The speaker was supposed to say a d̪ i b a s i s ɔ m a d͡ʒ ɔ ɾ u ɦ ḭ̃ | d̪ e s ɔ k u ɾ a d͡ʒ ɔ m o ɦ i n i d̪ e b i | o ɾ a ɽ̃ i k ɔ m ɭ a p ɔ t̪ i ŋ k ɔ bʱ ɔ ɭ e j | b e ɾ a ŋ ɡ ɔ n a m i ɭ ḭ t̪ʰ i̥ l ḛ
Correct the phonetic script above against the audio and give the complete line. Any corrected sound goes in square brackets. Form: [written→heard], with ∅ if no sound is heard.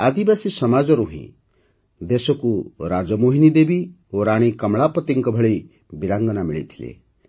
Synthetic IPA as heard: a d̪ i b a s i s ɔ m a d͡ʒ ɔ ɾ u ɦ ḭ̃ | d̪ e s ɔ k u ɾ a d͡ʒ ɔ m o ɦ i n i d̪ e b i | o ɾ a ɽ̃ i k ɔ m ɭ a p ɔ t̪ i ŋ k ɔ bʱ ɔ ɭ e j | b [e→i] ɾ a ŋ ɡ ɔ n a m i ɭ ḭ t̪ʰ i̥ l ḛ